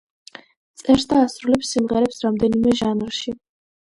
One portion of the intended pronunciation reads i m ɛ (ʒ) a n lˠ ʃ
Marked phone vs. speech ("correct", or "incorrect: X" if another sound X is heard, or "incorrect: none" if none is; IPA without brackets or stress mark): correct